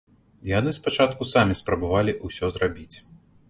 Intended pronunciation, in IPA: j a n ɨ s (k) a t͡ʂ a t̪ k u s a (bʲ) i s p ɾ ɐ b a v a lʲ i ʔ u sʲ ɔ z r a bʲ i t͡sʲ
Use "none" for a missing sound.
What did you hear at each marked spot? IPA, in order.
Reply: p, mʲ

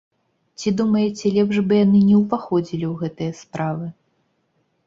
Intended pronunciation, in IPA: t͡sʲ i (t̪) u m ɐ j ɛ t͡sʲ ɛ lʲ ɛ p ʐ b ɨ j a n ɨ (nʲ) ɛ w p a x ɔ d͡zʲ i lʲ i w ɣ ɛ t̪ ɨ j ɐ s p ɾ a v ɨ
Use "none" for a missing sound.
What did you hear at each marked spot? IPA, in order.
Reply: d̪, nʲ

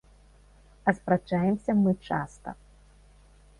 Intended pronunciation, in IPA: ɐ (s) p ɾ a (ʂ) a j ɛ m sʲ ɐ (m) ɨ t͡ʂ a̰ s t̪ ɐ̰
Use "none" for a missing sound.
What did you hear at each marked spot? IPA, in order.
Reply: s, t͡ʂ, m

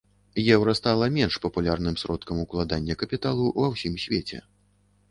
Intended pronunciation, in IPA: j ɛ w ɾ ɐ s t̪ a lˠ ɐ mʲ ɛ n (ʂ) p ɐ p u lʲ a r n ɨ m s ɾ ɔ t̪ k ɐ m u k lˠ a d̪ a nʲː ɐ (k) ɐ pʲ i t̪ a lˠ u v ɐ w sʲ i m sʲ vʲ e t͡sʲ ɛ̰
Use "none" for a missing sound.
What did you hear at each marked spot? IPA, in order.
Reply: ʂ, k

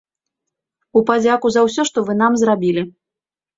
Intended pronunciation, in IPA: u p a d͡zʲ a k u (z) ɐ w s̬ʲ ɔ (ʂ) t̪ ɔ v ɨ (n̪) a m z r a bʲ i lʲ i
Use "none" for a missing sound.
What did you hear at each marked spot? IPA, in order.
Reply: z, ʂ, n̪

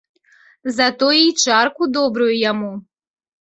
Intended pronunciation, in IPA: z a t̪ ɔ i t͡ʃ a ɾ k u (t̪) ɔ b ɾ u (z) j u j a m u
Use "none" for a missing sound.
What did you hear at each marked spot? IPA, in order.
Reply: d̪, none

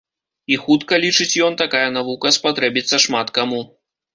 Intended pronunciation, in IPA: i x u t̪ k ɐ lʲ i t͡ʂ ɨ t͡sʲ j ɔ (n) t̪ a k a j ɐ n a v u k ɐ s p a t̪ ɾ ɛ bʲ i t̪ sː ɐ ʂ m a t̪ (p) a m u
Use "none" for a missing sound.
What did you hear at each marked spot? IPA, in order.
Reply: n, k

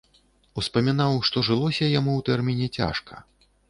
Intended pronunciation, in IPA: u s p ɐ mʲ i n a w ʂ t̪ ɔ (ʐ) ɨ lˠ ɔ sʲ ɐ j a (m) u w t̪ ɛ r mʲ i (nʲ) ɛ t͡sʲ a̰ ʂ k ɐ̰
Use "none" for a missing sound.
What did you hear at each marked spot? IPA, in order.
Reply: ʐ, m, nʲ

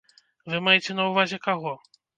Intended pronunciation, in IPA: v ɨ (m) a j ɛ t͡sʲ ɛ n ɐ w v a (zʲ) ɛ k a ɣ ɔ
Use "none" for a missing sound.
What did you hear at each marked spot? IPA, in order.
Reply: m, zʲ

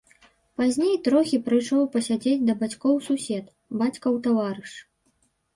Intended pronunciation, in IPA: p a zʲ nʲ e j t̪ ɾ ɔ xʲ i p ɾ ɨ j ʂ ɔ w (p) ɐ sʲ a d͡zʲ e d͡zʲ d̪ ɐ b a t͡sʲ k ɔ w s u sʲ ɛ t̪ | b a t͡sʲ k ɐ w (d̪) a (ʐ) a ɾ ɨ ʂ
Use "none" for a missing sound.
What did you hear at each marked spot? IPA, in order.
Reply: p, t̪, v

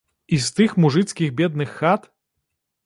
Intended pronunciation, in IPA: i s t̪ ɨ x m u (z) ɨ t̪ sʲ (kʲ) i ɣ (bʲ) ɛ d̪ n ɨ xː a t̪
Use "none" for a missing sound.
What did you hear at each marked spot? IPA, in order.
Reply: ʐ, kʲ, bʲ

